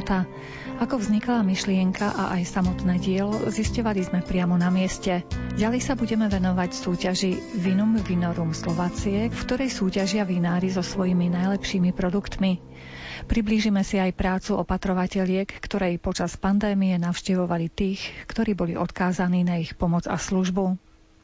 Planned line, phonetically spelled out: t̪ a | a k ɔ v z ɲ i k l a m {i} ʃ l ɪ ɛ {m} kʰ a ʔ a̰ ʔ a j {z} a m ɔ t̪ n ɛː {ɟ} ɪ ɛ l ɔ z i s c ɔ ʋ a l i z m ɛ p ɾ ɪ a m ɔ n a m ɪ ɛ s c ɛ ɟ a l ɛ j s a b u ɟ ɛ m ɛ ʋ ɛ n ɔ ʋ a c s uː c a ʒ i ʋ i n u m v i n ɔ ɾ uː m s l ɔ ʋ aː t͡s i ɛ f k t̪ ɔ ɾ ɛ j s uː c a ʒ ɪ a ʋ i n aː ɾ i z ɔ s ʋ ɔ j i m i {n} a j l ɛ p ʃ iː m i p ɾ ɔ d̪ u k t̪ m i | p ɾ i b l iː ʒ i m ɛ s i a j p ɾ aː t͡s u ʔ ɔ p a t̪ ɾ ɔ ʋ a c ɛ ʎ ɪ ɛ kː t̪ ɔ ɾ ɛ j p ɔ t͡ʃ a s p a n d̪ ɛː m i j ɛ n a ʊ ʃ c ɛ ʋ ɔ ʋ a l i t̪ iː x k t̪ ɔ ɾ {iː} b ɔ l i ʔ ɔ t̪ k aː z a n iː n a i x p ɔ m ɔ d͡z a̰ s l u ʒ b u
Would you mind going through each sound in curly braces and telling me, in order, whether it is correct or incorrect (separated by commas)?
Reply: correct, incorrect, incorrect, correct, correct, correct